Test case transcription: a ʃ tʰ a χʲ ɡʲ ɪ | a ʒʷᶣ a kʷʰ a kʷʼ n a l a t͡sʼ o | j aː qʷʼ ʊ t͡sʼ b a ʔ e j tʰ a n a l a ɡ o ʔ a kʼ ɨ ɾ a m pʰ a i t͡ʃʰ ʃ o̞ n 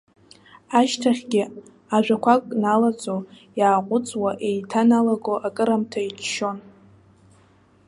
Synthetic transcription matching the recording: a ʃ tʰ a χʲ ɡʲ ɪ | a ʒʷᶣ a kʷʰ a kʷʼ n a l a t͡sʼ o | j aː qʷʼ ʊ t͡sʼ w a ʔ e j tʰ a n a l a ɡ o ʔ a kʼ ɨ ɾ a m tʰ a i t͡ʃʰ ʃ o̞ n